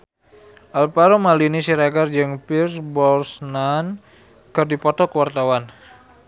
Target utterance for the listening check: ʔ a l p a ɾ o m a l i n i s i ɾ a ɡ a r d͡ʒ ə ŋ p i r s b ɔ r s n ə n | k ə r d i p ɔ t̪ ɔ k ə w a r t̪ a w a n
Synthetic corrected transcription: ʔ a l p a ɾ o m a l i n i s i ɾ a ɡ a r d͡ʒ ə ŋ p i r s b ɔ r s n a n | k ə r d i p ɔ t̪ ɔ k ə w a r t̪ a w a n